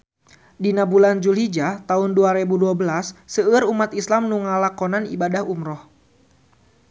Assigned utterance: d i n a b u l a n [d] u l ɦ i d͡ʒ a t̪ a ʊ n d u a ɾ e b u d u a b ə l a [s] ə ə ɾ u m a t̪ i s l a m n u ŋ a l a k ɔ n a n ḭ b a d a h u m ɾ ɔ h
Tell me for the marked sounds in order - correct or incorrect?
incorrect, incorrect

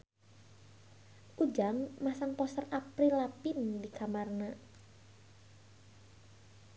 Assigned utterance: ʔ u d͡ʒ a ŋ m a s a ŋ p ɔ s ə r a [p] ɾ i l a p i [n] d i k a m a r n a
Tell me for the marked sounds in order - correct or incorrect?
correct, correct

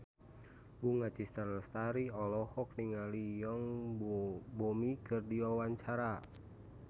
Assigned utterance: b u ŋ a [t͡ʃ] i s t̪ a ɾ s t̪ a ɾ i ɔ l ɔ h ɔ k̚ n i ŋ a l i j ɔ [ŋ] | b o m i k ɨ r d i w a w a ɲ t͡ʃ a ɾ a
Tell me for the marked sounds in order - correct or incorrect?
correct, correct

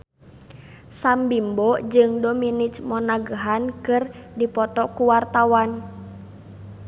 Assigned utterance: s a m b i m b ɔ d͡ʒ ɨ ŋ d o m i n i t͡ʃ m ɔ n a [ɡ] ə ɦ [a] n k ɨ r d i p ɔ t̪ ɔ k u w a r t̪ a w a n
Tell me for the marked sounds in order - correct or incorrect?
correct, correct

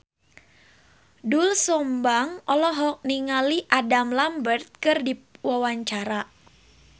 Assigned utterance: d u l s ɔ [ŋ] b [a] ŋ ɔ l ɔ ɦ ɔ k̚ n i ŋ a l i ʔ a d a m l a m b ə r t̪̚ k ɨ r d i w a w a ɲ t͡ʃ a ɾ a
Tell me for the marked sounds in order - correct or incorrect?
incorrect, correct

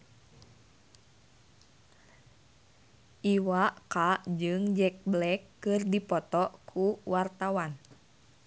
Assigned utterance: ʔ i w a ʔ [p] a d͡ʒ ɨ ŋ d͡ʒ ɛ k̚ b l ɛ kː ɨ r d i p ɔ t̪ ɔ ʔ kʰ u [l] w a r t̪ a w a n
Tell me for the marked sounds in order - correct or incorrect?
incorrect, incorrect

